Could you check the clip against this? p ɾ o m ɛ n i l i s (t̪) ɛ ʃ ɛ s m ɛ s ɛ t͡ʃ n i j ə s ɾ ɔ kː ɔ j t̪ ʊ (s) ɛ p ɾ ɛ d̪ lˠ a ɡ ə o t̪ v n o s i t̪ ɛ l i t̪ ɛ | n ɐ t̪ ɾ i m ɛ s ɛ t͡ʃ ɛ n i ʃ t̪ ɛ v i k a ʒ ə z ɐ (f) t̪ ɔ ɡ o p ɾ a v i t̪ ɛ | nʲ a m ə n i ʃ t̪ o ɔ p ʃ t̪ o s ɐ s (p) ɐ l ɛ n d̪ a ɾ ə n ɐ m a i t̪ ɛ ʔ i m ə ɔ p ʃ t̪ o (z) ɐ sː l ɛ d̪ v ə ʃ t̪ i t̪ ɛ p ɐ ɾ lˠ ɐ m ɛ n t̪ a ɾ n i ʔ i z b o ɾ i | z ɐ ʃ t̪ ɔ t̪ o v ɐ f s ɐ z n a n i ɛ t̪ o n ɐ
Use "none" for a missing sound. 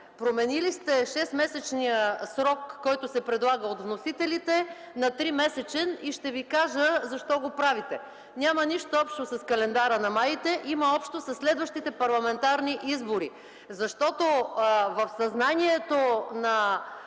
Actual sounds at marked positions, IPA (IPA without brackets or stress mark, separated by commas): t̪, s, ʃ, k, s